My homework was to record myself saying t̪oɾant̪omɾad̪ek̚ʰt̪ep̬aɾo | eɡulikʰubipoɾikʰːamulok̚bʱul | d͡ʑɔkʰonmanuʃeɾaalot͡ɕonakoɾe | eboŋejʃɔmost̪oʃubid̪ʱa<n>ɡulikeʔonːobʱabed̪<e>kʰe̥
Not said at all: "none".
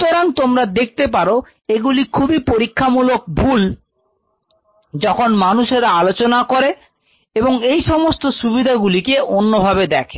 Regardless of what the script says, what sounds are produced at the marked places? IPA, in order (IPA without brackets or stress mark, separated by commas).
none, ɛ